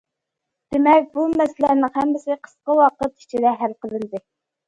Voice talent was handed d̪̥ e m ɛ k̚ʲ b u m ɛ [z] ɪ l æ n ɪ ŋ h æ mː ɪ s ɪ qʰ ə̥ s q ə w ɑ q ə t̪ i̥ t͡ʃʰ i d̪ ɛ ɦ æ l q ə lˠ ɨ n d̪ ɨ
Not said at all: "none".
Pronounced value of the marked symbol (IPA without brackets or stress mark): s